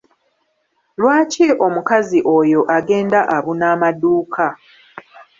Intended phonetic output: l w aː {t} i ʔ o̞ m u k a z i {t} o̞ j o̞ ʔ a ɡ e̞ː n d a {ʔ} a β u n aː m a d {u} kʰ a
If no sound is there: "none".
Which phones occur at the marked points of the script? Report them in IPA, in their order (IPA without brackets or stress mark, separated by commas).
c, ʔ, ʔ, uː